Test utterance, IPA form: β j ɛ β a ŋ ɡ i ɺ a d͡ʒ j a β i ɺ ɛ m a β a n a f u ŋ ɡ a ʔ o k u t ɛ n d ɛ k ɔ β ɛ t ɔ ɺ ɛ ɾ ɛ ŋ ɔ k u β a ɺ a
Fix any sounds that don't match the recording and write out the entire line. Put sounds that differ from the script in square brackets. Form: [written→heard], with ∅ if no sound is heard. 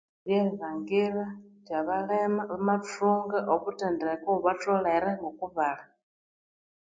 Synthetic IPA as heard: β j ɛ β a ŋ ɡ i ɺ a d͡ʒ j a β [i→a] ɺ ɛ m a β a [n→m] a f u ŋ ɡ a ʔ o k u t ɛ n d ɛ k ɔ β [ɛ→a] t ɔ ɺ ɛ ɾ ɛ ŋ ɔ k u β a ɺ a

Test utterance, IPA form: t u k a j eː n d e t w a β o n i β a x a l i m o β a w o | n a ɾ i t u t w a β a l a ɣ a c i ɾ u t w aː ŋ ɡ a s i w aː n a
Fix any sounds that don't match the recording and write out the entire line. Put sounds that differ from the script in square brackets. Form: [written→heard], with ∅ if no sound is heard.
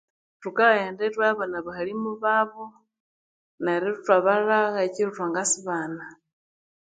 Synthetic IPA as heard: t u k a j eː n d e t w a β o n [i→a] β a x a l i m [o→u] β a [w→β] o | n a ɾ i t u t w a β a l a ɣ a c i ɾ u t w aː ŋ ɡ a s i [w→β] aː n a

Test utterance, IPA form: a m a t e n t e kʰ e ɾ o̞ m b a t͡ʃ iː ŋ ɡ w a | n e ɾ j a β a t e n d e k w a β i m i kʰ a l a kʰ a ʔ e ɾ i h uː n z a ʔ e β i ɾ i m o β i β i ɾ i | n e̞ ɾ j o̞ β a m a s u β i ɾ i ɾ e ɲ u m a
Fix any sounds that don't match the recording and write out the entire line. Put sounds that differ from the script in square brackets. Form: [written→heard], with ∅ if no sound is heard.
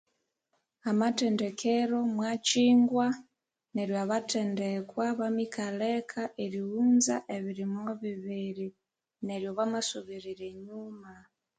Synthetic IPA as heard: a m a t e n [t→d] e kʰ e ɾ o̞ m [b→w] a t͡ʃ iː ŋ ɡ w a | n e ɾ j a β a t e n d e k w a β [i→a] m i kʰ a l [a→e] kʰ a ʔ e ɾ i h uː n z a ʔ e β i ɾ i m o β i β i ɾ i | n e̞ ɾ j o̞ β a m a s u β i ɾ i ɾ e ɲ u m a

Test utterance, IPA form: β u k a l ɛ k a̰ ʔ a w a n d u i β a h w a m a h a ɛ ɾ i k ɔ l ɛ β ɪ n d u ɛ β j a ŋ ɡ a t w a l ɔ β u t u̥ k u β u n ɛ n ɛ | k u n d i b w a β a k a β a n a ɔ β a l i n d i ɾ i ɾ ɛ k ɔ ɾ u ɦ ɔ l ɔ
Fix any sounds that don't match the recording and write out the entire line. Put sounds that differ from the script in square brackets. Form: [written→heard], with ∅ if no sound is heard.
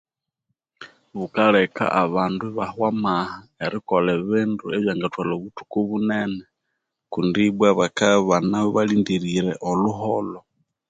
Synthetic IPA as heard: β u k a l ɛ k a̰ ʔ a [w→β] a n d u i β a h w a m a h a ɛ ɾ i k ɔ l ɛ β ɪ n d u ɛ β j a ŋ ɡ a t w a l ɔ β u t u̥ k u β u n ɛ n ɛ | k u n d i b w a β a k a β a n a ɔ β a l i n d i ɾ i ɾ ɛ [k→ʔ] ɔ [ɾ→l] u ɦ ɔ l ɔ

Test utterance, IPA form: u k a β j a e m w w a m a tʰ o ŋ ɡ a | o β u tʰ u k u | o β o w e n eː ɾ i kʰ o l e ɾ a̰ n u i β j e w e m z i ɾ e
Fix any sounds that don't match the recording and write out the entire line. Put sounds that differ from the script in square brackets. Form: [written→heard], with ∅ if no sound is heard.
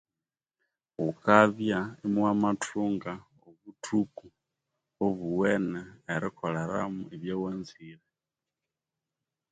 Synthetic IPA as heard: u k a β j a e m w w a m a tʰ [o→u] ŋ ɡ a | o β u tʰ u k u | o β [o→u] w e n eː ɾ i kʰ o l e ɾ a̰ [n→m] u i β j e w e [m→n] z i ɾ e

